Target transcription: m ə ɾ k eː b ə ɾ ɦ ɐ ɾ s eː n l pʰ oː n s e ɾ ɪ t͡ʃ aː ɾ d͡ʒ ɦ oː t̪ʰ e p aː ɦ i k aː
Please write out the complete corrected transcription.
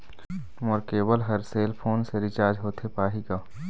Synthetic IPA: m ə ɾ k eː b ə l ɦ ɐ ɾ s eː l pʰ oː n s e ɾ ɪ t͡ʃ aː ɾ d͡ʒ ɦ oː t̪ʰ e p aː ɦ i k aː